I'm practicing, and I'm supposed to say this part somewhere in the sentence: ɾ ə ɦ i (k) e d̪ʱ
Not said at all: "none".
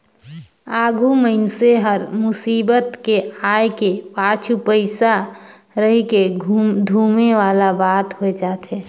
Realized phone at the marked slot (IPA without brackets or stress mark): k